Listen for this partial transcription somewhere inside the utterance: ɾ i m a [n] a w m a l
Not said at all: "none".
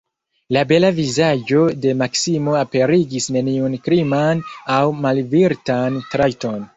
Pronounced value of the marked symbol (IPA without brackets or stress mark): n